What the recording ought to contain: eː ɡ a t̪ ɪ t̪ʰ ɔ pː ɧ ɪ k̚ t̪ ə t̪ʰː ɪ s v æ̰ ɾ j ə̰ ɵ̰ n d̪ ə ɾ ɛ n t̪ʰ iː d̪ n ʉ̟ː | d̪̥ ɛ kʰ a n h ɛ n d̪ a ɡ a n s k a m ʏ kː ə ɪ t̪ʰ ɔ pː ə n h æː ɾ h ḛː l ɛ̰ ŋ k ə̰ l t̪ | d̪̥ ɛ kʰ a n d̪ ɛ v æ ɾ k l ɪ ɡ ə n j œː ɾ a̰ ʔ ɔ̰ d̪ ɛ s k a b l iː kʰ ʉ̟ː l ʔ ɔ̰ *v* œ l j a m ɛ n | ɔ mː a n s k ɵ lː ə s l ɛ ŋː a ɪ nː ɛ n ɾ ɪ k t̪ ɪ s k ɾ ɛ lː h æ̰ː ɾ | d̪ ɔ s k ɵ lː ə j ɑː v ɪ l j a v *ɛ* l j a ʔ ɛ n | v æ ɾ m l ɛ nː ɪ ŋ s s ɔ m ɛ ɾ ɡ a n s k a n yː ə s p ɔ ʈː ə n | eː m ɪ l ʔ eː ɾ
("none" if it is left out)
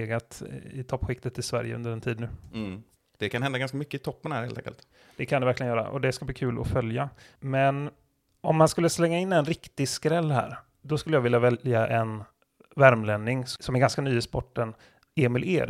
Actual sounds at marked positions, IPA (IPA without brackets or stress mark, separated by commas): f, ɛ